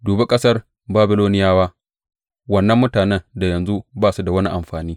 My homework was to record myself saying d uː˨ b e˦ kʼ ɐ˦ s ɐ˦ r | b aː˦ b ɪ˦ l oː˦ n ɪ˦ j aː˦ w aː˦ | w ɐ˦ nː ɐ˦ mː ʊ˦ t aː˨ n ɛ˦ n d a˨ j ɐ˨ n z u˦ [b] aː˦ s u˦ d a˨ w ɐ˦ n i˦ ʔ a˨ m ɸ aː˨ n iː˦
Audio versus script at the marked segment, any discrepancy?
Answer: no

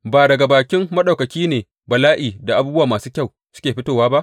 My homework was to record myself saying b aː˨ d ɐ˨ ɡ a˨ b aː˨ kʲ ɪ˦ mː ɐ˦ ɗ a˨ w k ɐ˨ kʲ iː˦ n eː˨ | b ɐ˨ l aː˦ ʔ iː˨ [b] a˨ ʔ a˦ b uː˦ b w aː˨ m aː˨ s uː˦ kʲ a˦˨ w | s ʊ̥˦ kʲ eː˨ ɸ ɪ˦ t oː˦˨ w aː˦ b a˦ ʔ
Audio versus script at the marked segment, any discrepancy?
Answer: yes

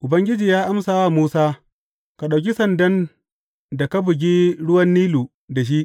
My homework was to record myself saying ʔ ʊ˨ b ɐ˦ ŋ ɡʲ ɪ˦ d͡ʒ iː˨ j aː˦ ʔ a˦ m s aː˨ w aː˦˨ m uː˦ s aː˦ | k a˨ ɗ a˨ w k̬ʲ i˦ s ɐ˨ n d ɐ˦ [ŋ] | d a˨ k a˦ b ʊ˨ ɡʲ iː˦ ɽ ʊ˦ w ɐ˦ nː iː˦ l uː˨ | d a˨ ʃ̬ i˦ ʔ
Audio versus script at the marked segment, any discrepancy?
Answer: yes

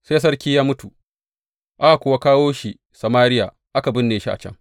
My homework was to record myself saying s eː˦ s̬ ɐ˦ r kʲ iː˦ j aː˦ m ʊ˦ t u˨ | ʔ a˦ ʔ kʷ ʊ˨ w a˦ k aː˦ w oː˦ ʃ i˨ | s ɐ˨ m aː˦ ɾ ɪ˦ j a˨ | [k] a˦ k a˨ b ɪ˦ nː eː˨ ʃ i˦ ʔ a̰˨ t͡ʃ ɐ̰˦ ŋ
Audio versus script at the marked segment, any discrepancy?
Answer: yes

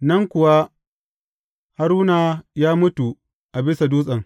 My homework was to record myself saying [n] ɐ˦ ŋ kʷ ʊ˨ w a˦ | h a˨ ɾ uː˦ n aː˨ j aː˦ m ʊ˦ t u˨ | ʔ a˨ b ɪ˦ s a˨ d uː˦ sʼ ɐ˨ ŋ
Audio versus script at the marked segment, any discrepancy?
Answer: no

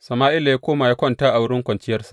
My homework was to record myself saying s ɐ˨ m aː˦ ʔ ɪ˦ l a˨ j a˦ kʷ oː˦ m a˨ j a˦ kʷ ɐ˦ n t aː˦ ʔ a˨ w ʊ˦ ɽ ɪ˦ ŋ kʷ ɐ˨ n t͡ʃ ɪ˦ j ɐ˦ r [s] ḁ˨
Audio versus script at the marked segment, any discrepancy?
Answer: no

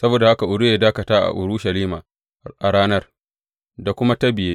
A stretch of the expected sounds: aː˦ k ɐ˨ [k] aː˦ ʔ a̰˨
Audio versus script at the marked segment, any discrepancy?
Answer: yes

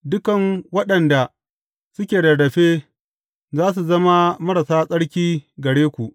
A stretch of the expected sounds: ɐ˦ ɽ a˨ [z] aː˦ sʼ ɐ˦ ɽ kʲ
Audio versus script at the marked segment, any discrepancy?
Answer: yes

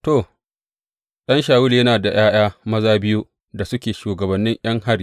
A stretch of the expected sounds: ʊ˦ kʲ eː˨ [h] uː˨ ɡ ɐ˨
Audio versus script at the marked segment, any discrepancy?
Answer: yes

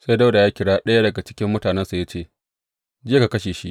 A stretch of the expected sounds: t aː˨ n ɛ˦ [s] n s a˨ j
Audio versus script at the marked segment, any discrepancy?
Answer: yes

